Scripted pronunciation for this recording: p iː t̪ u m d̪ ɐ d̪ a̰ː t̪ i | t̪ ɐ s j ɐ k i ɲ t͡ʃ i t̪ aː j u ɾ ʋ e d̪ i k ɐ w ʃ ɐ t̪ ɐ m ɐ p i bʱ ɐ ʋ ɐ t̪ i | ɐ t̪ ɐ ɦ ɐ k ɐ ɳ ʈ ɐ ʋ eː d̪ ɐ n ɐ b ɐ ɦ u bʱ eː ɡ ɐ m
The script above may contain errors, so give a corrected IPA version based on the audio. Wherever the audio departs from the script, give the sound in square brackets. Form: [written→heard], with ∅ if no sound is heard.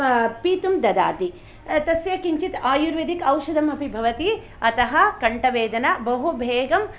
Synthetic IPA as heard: p iː t̪ u m d̪ ɐ d̪ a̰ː t̪ i | t̪ ɐ s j ɐ k i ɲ t͡ʃ i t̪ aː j u ɾ ʋ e d̪ i k ɐ w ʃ ɐ [t̪→d̪] ɐ m ɐ p i bʱ ɐ ʋ ɐ t̪ i | ɐ t̪ ɐ ɦ ɐ k ɐ ɳ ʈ ɐ ʋ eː d̪ ɐ n ɐ b ɐ ɦ u bʱ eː ɡ ɐ m

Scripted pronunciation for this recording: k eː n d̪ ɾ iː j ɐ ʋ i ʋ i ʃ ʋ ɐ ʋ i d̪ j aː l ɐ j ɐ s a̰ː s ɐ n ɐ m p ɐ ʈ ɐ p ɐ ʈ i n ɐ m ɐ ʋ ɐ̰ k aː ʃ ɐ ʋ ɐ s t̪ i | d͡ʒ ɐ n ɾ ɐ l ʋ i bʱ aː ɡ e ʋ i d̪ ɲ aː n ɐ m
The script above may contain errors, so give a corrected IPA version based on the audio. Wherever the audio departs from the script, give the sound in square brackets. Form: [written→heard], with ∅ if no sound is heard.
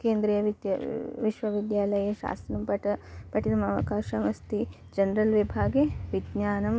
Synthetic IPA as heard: k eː n d̪ ɾ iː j ɐ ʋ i ʋ i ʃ ʋ ɐ ʋ i d̪ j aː l ɐ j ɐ [s→ʃ] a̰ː s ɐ n ɐ m p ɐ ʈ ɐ p ɐ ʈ i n ɐ m ɐ ʋ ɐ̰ k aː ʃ ɐ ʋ ɐ s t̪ i | d͡ʒ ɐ n ɾ ɐ l ʋ i bʱ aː ɡ e ʋ i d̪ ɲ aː n ɐ m

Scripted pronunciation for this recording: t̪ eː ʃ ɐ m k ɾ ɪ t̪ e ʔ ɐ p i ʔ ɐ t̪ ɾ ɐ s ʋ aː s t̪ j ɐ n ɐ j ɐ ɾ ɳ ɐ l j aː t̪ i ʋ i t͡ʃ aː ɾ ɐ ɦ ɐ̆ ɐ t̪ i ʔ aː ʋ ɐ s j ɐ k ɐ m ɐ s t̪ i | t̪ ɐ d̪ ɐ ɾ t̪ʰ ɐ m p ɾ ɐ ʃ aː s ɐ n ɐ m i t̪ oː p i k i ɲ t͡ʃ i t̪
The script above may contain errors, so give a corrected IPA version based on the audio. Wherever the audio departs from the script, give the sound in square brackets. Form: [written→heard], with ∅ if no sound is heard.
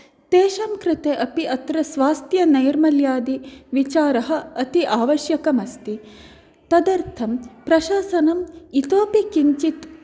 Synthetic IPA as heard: t̪ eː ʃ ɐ m k ɾ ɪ t̪ e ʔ ɐ p i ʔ ɐ t̪ ɾ ɐ s ʋ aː s t̪ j ɐ n ɐ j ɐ ɾ [ɳ→m] ɐ l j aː [t̪→d̪] i ʋ i t͡ʃ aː ɾ ɐ ɦ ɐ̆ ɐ t̪ i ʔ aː ʋ ɐ [s→ʃ] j ɐ k ɐ m ɐ s t̪ i | t̪ ɐ d̪ ɐ ɾ t̪ʰ ɐ m p ɾ ɐ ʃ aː s ɐ n ɐ m i t̪ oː p i k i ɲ t͡ʃ i t̪

